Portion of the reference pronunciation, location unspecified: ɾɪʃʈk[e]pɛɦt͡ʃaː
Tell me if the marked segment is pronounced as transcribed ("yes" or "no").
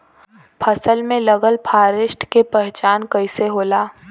yes